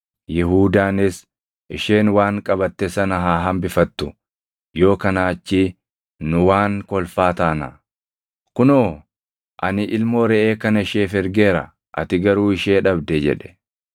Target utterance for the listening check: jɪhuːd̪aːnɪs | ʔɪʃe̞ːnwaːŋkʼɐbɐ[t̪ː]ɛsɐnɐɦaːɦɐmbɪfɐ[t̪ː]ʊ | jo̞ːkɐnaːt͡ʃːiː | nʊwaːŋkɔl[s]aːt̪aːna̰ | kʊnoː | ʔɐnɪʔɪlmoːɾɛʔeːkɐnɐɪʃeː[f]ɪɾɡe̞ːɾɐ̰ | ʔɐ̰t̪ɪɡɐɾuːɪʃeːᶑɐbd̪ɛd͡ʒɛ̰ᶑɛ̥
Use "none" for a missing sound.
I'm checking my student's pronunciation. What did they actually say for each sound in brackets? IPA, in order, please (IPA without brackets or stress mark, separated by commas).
t̪ː, t̪ː, f, f